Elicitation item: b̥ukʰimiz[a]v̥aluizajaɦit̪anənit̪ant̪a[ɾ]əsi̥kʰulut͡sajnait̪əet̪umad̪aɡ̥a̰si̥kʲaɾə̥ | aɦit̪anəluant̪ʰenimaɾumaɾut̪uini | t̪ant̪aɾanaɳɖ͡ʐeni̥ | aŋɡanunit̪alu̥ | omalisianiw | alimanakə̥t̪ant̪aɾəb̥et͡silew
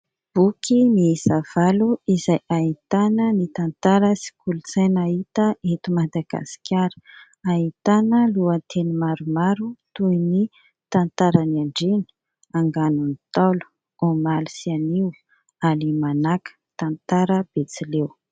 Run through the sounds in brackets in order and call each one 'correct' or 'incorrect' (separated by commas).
correct, correct